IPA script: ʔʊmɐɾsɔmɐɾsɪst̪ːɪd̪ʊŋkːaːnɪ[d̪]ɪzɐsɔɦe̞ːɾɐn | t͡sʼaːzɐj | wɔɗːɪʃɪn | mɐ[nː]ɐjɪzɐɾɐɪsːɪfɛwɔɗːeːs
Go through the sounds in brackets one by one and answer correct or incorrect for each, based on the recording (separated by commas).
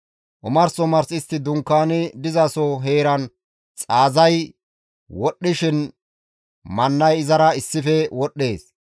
correct, correct